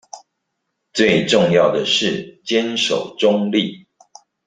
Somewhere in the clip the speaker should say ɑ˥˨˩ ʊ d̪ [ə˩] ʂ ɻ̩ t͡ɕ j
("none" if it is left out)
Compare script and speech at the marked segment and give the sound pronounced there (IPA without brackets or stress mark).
ə˩